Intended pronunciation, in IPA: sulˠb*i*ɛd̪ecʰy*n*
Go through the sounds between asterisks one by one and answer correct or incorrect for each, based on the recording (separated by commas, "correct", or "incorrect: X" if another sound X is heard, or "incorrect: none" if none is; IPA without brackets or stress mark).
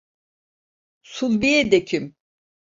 correct, incorrect: m